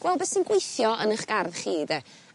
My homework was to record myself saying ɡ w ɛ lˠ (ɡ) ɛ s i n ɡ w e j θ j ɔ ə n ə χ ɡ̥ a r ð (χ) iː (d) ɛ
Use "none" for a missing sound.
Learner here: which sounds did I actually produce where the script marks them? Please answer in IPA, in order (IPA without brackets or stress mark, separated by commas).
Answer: b, χ, d